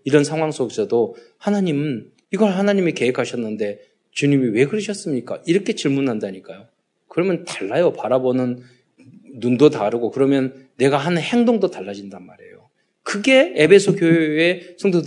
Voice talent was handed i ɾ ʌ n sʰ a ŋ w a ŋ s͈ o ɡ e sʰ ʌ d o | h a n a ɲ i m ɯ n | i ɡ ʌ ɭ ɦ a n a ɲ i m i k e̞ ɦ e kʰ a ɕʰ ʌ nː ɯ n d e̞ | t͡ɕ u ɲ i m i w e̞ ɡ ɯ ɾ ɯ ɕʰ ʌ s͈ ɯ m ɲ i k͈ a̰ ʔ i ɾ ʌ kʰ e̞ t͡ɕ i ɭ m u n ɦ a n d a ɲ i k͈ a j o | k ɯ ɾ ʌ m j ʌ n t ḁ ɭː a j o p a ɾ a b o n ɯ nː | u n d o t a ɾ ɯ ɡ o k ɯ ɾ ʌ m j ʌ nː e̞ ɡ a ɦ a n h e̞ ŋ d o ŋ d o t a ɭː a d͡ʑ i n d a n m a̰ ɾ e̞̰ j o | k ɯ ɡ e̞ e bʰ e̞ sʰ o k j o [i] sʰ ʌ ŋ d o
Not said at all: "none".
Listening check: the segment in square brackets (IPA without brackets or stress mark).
e